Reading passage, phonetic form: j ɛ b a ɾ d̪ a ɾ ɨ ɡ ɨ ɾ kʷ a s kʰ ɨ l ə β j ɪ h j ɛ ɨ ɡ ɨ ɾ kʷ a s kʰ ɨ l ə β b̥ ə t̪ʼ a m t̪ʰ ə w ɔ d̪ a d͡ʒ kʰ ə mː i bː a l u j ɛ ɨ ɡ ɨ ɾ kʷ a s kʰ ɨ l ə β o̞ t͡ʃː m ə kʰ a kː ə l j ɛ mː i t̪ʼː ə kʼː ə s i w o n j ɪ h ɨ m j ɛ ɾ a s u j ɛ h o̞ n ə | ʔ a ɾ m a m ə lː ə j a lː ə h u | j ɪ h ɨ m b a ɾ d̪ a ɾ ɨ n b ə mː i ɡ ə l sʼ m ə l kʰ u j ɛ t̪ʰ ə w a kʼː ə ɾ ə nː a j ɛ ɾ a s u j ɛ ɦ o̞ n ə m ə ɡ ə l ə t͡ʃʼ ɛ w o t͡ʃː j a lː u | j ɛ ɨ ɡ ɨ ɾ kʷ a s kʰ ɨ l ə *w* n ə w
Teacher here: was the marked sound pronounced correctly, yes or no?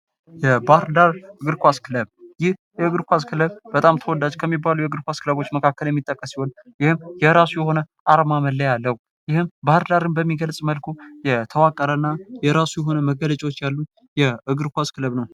no